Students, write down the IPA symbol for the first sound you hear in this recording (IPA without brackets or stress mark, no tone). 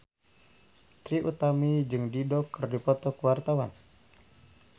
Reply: t̪